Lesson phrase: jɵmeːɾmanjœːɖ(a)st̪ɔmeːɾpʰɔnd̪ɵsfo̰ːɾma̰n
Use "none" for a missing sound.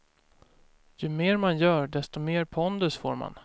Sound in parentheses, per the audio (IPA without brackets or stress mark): ɛ